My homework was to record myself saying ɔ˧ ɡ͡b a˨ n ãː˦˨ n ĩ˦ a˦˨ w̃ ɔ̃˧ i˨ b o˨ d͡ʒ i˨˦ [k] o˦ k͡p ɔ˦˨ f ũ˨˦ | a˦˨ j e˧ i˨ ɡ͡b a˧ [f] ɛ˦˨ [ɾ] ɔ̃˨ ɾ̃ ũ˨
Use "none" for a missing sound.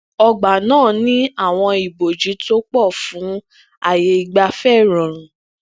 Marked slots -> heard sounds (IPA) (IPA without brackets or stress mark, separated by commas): t, f, ɾ